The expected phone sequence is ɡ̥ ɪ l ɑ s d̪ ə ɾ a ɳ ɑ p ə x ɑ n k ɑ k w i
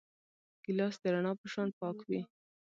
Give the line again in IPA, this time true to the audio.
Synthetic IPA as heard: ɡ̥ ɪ l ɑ s d̪ ə ɾ a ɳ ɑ p ə ʃ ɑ n p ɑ k w i